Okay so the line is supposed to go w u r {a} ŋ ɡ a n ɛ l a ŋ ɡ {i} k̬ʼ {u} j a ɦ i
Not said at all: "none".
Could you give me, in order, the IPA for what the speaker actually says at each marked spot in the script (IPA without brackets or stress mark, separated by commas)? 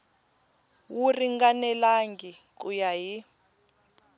i, i, u